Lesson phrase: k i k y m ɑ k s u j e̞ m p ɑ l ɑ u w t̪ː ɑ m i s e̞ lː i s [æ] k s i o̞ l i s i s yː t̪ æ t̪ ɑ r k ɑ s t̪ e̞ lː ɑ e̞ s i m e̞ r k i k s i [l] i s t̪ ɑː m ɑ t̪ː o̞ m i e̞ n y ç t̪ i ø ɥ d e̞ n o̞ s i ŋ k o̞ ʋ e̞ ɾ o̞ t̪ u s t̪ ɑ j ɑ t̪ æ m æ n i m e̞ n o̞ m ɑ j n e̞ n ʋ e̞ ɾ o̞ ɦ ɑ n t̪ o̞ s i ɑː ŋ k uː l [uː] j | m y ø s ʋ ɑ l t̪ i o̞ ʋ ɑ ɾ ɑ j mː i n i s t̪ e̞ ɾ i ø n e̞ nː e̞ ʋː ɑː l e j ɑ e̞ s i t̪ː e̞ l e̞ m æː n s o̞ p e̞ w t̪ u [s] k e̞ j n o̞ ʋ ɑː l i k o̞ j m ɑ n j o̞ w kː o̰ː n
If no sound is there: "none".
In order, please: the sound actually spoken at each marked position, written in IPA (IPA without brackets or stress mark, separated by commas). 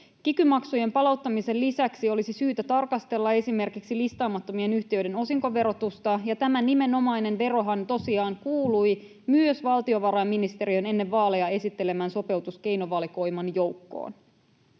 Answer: æ, l, u, s